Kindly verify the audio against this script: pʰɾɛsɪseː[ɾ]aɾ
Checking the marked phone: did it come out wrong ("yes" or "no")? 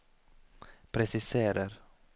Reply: no